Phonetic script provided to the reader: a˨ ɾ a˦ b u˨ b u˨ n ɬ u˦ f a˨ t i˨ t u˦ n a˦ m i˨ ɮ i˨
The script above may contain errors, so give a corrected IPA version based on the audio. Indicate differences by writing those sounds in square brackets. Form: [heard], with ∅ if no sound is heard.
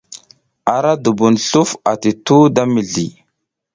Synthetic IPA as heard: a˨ ɾ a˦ [d] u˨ b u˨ n ɬ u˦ f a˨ t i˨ t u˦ [d] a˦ m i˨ ɮ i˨

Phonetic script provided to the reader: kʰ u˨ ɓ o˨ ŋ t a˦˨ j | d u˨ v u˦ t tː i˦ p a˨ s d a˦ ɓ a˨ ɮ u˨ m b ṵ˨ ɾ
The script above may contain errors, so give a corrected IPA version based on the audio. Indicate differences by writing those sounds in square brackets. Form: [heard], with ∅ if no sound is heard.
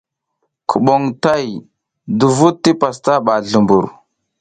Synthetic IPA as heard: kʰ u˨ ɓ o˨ ŋ t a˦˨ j | d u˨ v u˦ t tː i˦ p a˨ s [t] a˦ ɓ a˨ ɮ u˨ m b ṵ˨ ɾ

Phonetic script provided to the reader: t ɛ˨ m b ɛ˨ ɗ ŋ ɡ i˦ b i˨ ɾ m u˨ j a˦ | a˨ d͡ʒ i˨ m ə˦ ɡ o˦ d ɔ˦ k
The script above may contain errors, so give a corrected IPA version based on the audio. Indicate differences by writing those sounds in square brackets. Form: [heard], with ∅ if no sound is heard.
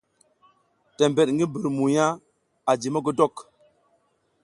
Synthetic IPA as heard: t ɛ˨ m b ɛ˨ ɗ ŋ ɡ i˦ b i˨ ɾ m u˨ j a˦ | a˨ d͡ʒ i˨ m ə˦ ɡ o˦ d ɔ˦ k

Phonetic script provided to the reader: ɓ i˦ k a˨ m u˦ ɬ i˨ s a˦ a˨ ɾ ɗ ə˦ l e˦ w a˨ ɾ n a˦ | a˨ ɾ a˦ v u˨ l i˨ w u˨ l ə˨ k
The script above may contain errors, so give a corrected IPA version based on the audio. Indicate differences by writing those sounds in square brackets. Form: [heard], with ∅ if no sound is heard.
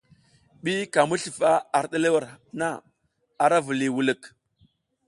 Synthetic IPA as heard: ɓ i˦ k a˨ m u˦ ɬ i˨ [f] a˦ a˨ ɾ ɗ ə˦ l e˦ w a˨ ɾ n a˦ | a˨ ɾ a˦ v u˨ l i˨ w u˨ l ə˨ k

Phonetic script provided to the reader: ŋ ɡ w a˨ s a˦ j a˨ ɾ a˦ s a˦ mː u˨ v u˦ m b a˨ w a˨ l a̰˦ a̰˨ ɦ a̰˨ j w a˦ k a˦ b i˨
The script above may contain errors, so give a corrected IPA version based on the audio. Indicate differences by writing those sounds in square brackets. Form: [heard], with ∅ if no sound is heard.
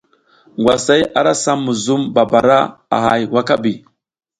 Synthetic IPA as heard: ŋ ɡ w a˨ s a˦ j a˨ ɾ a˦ s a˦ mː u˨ [z] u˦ m b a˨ [b] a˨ [ɾ] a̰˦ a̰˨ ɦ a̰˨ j w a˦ k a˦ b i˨

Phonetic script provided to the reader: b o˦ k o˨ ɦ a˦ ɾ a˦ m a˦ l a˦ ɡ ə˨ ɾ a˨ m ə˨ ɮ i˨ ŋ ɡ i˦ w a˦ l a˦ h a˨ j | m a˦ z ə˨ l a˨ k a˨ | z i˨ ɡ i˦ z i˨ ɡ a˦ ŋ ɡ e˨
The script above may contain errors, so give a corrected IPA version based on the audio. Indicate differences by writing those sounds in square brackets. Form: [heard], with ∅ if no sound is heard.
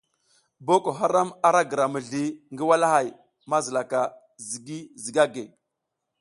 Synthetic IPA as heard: b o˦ k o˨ ɦ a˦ ɾ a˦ m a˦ [ɾ] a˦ ɡ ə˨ ɾ a˨ m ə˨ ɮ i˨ ŋ ɡ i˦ w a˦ l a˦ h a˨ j | m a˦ z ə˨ l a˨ k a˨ | z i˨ ɡ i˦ z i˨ ɡ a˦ [∅] ɡ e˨

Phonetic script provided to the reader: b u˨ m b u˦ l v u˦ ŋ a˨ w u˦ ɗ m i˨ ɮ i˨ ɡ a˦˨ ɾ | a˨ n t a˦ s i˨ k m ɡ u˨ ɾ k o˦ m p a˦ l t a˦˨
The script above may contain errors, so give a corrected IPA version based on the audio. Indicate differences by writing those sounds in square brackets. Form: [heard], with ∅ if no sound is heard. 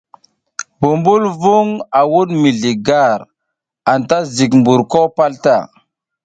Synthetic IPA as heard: b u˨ m b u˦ l v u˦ ŋ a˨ w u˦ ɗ m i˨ ɮ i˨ ɡ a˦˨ ɾ | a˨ n t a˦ [z] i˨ k m [b] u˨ ɾ k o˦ [∅] p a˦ l t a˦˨

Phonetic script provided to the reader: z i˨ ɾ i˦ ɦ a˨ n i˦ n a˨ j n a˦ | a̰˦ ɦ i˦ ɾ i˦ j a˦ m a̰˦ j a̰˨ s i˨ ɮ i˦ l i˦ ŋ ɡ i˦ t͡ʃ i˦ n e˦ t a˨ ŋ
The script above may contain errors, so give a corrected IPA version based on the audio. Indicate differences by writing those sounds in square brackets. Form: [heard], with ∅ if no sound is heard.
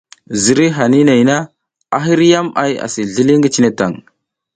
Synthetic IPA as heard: z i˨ ɾ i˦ ɦ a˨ n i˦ n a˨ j n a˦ | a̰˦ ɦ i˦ ɾ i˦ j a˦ m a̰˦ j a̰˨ s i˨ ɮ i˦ l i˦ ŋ ɡ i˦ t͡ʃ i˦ n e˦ t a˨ ŋ

